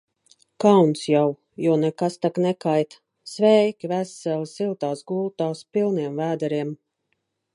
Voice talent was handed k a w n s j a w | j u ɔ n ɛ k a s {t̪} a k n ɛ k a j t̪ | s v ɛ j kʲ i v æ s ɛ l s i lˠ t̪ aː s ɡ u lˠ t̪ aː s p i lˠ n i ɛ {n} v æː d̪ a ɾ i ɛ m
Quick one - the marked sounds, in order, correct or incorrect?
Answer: correct, incorrect: m

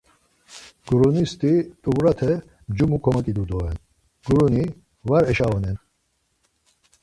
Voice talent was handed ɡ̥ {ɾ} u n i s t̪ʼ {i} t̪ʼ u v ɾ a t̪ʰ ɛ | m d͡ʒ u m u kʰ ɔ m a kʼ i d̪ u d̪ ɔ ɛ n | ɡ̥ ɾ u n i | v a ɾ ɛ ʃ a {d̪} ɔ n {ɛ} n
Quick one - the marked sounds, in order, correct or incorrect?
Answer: correct, correct, incorrect: none, correct

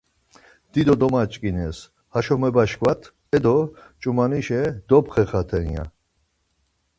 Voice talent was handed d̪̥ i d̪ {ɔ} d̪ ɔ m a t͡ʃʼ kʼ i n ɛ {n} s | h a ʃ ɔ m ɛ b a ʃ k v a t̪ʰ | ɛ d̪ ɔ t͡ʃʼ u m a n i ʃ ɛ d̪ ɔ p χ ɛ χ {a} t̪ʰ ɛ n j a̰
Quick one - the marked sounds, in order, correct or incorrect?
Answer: correct, incorrect: none, correct

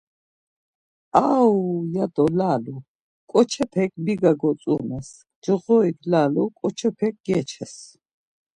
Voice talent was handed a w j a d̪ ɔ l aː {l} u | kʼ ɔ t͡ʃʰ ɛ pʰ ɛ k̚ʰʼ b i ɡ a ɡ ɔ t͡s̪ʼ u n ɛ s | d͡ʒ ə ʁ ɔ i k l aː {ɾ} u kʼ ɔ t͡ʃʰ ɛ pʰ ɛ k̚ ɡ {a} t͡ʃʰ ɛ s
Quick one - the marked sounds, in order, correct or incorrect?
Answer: correct, incorrect: l, incorrect: ɛ

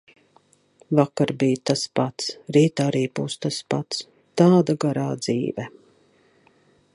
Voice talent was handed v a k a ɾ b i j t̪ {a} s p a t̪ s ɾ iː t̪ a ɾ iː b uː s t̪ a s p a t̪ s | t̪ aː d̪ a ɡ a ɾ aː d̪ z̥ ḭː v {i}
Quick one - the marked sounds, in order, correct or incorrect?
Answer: correct, incorrect: ɛ

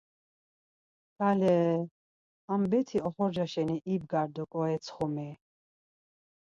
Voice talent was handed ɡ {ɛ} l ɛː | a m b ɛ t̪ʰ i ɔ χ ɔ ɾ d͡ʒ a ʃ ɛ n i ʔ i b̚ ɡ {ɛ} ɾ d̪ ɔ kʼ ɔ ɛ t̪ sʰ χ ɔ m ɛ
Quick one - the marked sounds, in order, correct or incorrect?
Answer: incorrect: a, incorrect: a

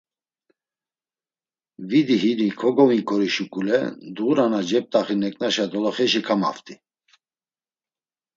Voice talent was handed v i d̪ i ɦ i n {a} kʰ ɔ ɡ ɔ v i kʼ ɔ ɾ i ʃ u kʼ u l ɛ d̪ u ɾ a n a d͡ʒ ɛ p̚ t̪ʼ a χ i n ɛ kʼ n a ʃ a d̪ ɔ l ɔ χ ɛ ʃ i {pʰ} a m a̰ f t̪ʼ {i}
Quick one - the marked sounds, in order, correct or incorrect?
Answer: incorrect: i, incorrect: kʰ, correct

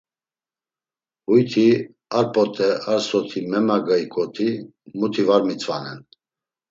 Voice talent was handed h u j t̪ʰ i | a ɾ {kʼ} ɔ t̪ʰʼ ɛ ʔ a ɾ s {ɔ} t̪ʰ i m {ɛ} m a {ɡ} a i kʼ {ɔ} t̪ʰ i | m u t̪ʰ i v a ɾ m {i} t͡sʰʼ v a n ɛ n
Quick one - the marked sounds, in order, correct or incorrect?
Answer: incorrect: pʼ, correct, correct, correct, correct, correct

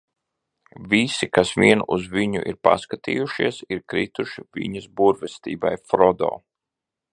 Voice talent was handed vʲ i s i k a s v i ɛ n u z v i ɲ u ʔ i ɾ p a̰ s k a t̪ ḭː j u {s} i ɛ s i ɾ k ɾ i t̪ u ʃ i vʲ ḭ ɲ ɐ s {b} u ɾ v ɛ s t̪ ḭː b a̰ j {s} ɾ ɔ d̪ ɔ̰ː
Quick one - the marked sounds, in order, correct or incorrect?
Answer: incorrect: ʃ, correct, incorrect: f

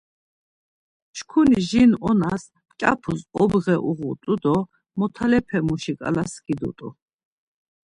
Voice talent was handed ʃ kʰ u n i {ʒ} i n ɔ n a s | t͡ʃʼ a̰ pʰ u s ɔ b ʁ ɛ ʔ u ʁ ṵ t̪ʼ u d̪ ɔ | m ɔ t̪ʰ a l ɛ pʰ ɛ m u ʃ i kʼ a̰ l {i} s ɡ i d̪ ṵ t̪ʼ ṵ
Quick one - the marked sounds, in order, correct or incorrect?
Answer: correct, incorrect: a

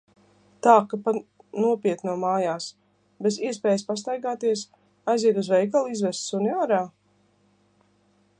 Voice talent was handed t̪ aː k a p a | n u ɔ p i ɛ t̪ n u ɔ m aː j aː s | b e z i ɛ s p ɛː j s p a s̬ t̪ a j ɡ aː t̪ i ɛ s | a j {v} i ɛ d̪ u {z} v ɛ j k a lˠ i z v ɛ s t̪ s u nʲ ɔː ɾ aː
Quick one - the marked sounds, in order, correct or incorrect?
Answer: incorrect: z, correct

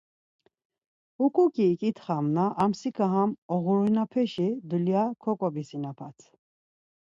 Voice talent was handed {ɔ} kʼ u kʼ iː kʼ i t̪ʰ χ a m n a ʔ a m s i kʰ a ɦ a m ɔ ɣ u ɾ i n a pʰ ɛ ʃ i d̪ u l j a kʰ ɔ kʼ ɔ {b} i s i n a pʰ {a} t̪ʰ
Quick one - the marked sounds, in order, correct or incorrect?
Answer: incorrect: u, correct, correct

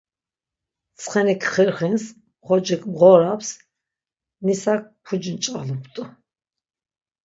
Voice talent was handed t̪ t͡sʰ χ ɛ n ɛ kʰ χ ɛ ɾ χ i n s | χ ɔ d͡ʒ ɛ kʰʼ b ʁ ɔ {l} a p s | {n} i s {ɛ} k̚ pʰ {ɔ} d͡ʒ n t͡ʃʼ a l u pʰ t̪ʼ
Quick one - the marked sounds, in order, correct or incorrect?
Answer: incorrect: ɾ, correct, incorrect: a, incorrect: u

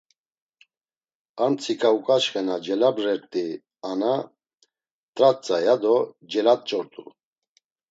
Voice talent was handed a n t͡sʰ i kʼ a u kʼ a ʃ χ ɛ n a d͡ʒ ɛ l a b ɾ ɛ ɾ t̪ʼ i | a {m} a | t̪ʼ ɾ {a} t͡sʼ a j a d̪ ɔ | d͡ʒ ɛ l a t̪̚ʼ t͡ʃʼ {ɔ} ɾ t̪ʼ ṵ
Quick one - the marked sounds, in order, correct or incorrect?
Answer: incorrect: n, correct, correct

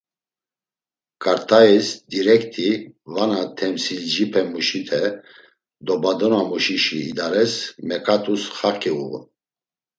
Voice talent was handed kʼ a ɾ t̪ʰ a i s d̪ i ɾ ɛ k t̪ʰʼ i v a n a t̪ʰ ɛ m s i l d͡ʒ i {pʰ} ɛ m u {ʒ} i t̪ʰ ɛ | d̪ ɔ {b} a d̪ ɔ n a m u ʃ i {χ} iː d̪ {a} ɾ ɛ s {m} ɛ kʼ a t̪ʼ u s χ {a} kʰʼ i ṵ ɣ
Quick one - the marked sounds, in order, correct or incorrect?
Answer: correct, incorrect: ʃ, correct, incorrect: ʃ, correct, correct, correct

